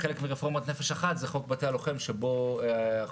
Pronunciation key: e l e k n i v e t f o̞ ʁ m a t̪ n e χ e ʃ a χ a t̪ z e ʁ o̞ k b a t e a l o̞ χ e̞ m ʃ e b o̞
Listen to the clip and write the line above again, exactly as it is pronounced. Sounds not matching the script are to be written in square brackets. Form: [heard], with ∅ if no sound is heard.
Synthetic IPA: e l e k [m] i [ʁ] e [∅] f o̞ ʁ m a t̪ n e [f] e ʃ a χ a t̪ z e [χ] o̞ k b a t e a l o̞ χ e̞ m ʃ e b o̞